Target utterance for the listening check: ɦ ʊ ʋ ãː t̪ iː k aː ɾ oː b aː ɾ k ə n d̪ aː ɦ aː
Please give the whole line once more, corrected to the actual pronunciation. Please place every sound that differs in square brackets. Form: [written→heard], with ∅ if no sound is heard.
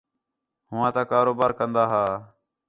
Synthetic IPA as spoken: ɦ ʊ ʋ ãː t̪ [iː→aː] k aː ɾ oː b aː ɾ k ə n d̪ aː ɦ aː